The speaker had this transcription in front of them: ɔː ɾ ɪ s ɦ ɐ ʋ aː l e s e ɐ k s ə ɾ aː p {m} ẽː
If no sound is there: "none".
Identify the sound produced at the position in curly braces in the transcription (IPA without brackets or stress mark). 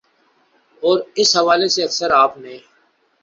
n